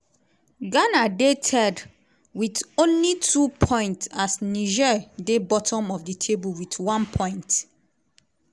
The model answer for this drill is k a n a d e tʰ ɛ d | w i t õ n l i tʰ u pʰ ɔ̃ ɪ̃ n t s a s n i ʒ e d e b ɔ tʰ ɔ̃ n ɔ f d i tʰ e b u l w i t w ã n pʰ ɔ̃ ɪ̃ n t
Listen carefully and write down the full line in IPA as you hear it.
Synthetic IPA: ɡ a n a d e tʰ ɛ d | w i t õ n l i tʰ u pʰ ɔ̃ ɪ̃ n t s a s n i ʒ ɛ d e b ɔ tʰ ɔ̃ m ɔ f d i tʰ e b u l w i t w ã n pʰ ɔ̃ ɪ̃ n t